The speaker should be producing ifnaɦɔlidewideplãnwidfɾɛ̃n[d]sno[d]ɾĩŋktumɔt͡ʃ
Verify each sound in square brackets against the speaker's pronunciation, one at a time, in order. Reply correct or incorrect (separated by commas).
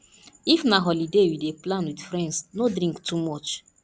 correct, correct